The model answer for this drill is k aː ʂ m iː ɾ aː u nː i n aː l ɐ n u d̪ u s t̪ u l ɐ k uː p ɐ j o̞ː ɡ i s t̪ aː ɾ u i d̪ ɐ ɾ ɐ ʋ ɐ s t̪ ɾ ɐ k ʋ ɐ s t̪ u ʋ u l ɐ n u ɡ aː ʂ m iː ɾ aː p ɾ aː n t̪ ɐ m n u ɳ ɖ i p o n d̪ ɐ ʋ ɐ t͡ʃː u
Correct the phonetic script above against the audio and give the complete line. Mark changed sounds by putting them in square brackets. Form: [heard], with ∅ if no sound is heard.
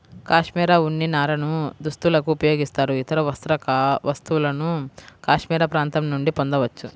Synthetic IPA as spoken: k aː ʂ m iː ɾ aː u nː i n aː [ɾ] ɐ n u d̪ u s t̪ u l ɐ k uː p ɐ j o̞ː ɡ i s t̪ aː ɾ u i [t̪] ɐ ɾ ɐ ʋ ɐ s t̪ ɾ ɐ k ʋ ɐ s t̪ u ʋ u l ɐ n u [k] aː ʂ m iː ɾ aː p ɾ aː n t̪ ɐ m n u ɳ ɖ i p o n d̪ ɐ ʋ ɐ t͡ʃː u